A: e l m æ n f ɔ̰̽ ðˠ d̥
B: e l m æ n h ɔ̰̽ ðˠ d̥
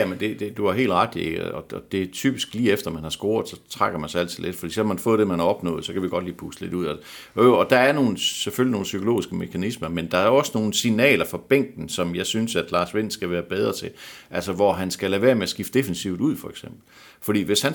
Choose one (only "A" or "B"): A